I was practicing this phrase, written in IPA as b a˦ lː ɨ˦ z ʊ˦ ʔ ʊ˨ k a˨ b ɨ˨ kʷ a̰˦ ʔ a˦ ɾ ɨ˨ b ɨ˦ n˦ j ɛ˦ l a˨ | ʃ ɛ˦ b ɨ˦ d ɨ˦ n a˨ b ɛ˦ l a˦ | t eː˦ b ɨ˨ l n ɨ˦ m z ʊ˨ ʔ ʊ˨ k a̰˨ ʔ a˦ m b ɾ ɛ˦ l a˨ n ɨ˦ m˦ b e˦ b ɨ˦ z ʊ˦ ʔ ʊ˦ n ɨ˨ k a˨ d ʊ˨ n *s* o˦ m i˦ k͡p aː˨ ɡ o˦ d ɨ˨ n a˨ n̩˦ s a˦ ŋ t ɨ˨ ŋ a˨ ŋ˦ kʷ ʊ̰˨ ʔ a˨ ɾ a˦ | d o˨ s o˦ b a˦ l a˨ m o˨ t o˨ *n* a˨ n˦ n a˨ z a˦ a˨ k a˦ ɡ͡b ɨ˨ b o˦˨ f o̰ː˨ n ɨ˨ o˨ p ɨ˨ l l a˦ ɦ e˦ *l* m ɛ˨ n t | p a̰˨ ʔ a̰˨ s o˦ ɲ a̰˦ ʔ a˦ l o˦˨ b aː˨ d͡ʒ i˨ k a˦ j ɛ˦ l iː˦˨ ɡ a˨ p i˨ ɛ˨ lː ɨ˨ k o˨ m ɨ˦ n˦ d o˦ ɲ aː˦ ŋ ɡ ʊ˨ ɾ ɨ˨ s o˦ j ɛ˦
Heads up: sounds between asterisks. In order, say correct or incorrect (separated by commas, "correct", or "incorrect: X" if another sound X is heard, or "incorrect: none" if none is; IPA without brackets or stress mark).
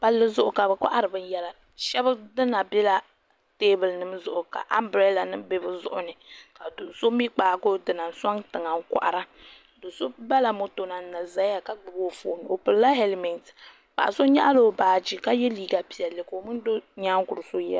correct, correct, correct